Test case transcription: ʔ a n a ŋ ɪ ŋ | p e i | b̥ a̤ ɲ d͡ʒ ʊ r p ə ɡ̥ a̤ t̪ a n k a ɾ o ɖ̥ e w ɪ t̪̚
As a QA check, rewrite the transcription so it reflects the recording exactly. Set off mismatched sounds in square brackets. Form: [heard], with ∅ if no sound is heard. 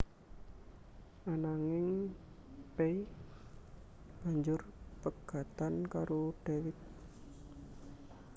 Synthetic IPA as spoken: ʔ a n a ŋ ɪ ŋ | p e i | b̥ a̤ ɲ d͡ʒ ʊ r p ə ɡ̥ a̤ t̪ a n k a ɾ o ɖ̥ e w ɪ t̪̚